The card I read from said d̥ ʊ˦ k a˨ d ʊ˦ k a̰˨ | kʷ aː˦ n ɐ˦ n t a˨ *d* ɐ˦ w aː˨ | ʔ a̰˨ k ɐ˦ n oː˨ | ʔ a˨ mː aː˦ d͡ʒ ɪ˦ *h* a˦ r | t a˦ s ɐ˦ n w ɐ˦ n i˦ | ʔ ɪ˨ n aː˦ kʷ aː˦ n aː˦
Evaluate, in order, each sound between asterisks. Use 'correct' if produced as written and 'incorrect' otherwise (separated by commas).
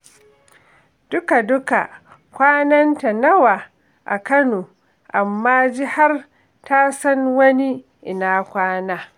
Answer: incorrect, correct